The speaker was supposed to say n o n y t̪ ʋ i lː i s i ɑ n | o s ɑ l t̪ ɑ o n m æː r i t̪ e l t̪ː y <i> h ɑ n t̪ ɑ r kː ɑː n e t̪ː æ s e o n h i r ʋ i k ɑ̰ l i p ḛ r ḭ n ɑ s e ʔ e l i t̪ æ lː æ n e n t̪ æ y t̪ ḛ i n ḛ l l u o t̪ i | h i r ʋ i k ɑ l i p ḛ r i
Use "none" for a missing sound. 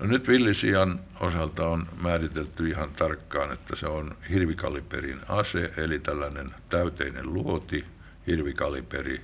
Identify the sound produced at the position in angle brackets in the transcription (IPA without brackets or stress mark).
i